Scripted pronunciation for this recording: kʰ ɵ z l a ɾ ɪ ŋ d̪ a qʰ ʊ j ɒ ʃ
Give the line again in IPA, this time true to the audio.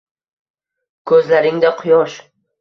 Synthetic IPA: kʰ ɵ z l a ɾ ɪ ŋ d̪ a qʰ ʊ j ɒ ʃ